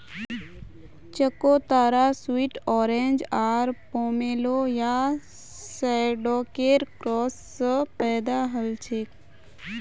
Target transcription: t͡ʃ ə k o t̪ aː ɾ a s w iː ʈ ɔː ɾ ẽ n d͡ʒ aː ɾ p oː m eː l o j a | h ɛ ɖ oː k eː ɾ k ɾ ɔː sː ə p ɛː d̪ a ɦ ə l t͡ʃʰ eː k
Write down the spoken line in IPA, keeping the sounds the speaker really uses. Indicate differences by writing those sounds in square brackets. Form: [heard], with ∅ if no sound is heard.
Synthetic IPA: t͡ʃ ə k o t̪ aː ɾ a s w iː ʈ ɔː ɾ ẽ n d͡ʒ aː ɾ p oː m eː l o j a | [s] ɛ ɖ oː k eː ɾ k ɾ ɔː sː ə p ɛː d̪ a ɦ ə l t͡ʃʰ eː k